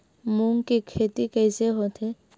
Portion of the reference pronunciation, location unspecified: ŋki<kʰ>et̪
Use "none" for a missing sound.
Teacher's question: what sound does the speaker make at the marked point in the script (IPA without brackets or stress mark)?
kʰ